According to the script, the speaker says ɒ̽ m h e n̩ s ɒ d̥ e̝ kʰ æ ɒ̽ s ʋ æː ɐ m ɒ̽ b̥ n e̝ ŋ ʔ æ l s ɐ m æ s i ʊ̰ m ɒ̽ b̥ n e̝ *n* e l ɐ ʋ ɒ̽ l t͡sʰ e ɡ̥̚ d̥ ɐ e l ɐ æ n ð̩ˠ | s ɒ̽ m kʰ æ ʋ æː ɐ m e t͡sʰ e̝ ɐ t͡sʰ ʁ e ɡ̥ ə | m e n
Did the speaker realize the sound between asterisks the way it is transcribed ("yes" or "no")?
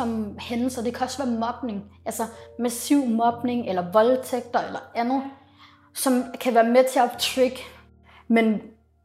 no